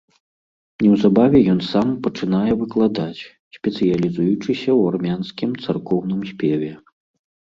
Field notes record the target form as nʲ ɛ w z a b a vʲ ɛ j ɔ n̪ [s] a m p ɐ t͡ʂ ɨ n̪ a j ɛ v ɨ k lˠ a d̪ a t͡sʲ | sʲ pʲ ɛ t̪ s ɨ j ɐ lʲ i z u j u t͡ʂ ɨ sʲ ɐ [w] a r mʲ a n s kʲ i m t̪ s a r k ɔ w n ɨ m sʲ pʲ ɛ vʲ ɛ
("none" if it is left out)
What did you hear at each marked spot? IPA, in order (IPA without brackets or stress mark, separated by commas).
s, w